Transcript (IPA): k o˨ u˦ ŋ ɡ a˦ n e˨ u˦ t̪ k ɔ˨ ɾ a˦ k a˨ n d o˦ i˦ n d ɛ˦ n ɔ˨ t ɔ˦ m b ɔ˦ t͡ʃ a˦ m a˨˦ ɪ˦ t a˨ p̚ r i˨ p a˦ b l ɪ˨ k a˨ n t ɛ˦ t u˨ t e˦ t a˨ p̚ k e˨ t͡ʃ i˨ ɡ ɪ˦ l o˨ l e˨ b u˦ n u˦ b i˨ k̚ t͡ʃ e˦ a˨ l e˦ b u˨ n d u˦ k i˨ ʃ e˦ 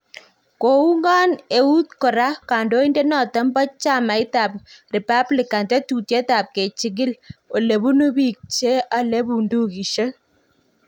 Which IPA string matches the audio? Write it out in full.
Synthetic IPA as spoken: k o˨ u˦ ŋ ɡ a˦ n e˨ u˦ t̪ k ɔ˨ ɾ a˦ k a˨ n d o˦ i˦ n d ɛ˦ n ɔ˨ t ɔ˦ m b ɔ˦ t͡ʃ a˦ m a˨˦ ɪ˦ t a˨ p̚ r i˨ p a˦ b l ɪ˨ k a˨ n t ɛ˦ t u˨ t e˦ t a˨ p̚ k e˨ t͡ʃ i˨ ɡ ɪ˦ l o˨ l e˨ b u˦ n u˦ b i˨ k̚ t͡ʃ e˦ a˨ l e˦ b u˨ n d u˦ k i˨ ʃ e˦